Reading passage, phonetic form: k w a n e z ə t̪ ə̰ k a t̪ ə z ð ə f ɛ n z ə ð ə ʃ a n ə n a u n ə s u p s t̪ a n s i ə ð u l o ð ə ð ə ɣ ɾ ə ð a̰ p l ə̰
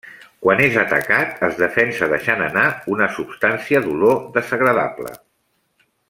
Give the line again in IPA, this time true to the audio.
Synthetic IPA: k w a n e z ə t̪ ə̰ k a t̪ ə z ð ə f ɛ n s ə ð ə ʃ a n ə n a u n ə s u p s t̪ a n s i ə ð u l o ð ə z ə ɣ ɾ ə ð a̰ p l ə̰